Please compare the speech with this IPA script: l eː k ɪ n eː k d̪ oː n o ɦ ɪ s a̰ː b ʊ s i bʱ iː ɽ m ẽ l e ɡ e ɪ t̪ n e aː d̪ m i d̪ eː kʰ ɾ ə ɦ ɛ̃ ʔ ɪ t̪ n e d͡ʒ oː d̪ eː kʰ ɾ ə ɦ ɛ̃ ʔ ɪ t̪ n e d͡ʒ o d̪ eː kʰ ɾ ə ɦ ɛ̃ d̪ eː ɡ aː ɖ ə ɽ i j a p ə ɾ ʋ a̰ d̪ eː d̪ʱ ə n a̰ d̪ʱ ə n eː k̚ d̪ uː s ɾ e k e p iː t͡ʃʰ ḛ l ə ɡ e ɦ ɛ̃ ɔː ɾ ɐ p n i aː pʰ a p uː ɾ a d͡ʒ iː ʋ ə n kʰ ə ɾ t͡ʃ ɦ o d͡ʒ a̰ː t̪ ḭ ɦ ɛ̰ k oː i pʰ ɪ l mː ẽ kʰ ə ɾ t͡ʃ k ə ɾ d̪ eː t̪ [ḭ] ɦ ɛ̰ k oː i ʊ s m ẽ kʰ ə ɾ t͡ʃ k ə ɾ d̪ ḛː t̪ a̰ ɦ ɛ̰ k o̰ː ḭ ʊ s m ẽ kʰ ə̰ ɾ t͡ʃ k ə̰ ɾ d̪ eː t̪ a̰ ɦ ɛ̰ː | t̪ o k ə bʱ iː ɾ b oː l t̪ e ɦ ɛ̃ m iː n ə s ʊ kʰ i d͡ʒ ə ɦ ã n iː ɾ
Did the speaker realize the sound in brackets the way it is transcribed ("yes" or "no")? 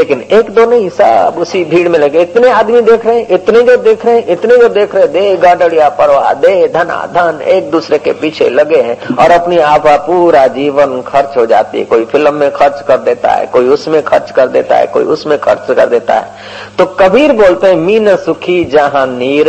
no